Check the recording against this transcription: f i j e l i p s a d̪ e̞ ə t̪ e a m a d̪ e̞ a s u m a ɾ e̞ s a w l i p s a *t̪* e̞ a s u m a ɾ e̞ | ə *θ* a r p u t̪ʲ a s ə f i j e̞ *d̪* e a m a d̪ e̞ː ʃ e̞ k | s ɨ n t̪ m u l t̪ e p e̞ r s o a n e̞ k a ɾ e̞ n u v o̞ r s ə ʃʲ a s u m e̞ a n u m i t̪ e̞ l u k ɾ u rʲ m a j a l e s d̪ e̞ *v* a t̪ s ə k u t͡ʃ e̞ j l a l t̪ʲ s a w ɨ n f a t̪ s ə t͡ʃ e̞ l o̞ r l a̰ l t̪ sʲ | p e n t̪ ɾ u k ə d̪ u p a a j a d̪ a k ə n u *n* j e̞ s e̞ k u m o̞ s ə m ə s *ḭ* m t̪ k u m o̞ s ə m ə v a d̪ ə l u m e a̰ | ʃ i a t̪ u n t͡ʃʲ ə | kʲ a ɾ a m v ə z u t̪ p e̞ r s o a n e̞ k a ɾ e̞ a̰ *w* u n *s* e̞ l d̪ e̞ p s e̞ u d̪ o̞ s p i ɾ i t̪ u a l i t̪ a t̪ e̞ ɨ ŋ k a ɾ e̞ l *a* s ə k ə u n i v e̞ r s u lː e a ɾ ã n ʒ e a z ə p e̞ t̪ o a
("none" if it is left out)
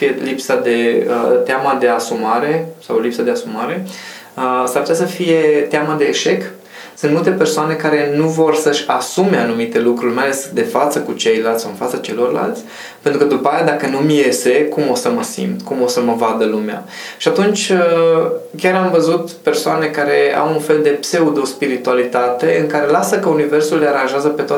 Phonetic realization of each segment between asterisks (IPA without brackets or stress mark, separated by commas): d̪, s, t̪, f, m, ḭ, w, f, a